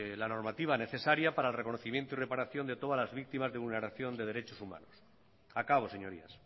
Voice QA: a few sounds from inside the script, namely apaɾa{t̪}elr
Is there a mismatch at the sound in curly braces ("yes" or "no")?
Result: yes